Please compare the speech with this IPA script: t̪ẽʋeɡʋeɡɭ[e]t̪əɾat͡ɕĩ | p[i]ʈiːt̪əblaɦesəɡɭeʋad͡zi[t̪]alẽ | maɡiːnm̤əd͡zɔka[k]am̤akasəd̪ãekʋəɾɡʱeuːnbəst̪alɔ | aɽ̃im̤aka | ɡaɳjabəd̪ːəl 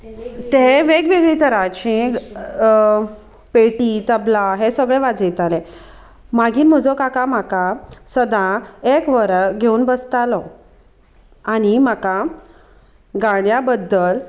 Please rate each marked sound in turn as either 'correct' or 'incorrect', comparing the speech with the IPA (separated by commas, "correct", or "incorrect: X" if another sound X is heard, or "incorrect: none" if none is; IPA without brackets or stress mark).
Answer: incorrect: i, incorrect: e, correct, correct